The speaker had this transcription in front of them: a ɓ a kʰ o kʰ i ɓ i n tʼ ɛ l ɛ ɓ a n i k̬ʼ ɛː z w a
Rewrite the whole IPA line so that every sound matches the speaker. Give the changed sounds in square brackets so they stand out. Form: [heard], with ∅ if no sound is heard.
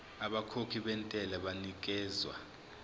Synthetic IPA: a ɓ a kʰ o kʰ i ɓ [ɛ] n tʼ ɛ l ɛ ɓ a n i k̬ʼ ɛː z w a